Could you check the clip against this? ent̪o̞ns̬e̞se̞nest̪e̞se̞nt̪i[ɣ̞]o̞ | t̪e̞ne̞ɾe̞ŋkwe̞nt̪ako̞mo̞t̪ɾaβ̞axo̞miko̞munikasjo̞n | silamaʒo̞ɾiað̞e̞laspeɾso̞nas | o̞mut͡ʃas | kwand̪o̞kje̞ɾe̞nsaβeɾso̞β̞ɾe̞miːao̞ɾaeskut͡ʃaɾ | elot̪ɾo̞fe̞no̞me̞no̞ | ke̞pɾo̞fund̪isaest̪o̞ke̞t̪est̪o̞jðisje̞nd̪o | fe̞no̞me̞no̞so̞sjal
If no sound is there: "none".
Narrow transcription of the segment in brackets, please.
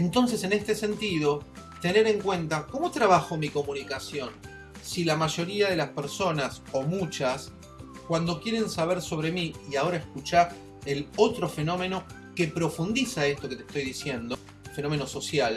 ð̞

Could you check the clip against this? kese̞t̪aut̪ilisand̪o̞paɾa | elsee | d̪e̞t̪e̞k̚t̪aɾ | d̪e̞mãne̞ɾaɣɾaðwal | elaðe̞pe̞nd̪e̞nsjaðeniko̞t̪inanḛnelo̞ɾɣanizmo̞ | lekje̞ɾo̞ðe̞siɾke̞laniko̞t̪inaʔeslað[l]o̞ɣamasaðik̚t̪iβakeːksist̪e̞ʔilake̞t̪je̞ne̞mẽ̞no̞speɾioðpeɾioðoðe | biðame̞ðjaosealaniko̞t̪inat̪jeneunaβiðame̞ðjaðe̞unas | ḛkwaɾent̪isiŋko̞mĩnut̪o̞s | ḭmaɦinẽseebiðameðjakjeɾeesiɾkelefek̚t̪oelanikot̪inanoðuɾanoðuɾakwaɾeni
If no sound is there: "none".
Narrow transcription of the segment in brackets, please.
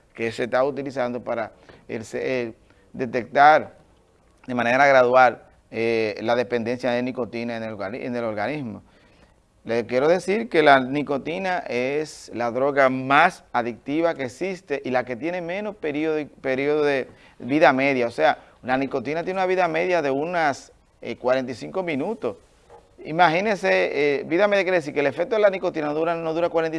ɾ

